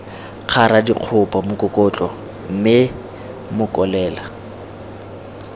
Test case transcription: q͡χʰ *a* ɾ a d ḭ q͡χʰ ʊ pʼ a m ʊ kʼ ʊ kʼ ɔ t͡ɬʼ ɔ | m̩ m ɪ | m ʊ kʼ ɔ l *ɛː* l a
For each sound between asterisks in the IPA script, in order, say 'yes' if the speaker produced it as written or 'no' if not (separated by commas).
yes, yes